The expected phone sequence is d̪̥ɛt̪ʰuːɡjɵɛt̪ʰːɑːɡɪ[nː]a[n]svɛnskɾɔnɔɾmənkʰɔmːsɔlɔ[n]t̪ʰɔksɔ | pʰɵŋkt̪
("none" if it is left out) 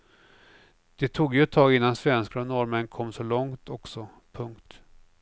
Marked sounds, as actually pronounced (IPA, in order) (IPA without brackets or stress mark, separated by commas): nː, n, ŋ